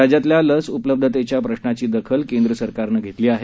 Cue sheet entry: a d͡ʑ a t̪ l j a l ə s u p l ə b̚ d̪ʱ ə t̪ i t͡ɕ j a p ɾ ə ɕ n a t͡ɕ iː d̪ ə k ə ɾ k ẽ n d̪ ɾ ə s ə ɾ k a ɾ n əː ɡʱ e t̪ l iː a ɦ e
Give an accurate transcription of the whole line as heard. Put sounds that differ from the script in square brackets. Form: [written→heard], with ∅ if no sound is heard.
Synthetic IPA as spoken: a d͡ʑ a t̪ l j a l ə s u p l ə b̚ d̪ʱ ə t̪ [i→e] t͡ɕ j a p ɾ ə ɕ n a t͡ɕ iː d̪ ə [k→kʰ] ə [ɾ→l] k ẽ n d̪ ɾ ə s ə ɾ k a ɾ n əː ɡʱ e t̪ l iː a ɦ e